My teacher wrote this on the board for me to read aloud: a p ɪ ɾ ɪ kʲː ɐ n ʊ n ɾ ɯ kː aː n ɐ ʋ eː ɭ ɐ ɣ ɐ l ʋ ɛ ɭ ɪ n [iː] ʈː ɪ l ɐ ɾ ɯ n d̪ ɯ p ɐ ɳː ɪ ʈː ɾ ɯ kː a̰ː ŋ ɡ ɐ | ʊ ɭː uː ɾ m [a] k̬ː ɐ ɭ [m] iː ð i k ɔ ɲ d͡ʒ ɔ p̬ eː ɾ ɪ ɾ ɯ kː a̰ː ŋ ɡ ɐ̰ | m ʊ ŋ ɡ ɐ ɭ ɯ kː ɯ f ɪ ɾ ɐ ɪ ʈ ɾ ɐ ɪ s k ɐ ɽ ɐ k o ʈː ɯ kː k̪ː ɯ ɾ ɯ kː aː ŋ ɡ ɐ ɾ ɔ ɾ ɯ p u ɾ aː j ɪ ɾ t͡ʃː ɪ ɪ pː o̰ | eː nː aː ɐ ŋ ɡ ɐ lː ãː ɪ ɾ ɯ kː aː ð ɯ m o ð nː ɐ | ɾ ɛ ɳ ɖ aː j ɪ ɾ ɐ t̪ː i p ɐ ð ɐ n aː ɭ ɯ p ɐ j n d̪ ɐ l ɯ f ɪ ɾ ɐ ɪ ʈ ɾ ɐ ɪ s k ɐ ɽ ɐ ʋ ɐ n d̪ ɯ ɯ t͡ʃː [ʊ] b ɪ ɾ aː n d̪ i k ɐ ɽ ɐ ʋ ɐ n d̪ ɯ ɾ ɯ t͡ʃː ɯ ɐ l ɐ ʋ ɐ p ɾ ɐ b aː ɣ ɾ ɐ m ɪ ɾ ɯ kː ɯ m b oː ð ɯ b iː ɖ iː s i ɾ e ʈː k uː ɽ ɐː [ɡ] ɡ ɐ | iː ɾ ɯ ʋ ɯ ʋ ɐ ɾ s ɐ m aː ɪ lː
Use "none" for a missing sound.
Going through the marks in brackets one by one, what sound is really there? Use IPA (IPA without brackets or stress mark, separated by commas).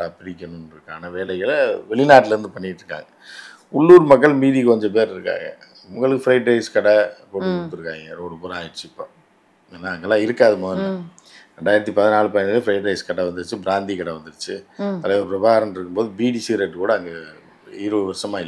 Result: aː, ɐ, m, ɯ, ŋ